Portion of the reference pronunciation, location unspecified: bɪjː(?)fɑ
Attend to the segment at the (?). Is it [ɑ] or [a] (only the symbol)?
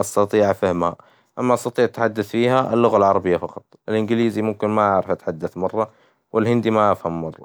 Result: a